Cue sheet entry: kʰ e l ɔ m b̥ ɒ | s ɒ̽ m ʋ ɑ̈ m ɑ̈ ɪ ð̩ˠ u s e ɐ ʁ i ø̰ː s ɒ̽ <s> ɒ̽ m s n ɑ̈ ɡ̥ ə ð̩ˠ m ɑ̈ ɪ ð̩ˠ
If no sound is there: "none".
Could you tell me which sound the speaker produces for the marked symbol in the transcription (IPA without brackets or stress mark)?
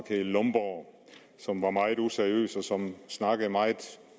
s